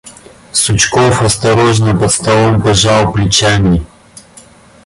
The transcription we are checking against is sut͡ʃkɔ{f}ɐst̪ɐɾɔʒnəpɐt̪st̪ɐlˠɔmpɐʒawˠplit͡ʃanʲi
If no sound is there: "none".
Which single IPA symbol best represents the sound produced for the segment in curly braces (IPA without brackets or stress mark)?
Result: f